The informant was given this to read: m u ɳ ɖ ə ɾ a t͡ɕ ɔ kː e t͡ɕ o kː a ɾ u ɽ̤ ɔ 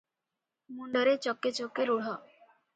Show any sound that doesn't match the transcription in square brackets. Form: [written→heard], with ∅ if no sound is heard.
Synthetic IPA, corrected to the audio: m u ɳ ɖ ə ɾ [a→e] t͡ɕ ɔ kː e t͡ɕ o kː [a→e] ɾ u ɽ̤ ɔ